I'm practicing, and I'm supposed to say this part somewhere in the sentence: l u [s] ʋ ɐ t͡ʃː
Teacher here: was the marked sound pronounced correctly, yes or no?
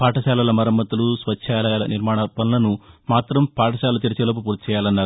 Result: yes